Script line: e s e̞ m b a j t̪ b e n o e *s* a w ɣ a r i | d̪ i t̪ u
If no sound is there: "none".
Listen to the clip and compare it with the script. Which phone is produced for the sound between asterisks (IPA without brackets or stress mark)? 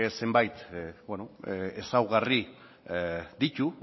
s